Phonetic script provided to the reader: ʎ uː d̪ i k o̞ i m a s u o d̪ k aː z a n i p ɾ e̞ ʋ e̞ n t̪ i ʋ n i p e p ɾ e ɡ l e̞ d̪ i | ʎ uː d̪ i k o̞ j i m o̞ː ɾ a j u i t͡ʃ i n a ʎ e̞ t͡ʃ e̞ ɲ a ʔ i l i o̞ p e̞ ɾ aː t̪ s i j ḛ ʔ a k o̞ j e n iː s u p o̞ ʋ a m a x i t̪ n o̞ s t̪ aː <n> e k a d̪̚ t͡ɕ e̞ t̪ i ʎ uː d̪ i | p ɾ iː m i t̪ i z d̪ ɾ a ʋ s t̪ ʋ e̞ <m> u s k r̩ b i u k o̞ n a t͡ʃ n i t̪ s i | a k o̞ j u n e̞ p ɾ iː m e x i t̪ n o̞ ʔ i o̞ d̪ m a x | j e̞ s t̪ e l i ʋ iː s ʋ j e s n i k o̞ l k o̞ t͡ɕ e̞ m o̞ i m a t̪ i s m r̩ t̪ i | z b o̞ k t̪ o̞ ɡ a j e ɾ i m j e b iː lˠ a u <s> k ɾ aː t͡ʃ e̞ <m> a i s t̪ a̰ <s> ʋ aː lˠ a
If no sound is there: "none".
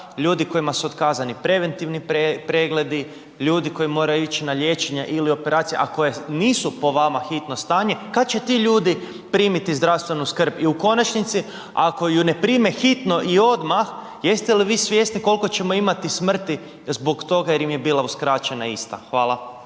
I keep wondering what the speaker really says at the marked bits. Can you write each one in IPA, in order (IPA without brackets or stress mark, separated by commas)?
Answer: ɲ, n, s, n, x